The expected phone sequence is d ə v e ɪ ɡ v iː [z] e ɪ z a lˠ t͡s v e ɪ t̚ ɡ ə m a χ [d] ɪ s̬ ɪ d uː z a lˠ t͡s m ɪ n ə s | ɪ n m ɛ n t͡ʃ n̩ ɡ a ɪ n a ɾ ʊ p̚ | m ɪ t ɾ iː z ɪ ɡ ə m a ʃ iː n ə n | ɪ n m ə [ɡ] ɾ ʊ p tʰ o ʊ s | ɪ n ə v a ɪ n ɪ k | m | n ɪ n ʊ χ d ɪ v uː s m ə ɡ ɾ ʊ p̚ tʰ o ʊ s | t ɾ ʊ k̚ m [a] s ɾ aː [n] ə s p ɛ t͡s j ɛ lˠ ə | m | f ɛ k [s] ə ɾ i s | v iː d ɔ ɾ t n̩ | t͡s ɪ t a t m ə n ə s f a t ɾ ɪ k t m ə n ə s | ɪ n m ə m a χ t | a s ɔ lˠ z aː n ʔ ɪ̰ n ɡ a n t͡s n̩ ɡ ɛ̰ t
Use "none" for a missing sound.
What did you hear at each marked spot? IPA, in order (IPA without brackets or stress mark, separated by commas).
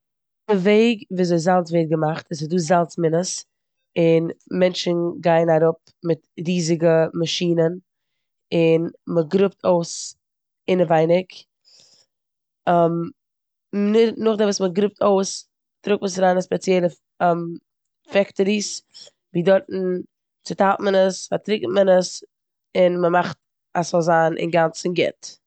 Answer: z, t, ɡ, ə, n, t